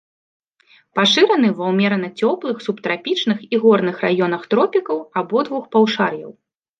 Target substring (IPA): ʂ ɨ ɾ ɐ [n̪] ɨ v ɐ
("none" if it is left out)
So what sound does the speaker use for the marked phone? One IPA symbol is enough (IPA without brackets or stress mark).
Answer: n̪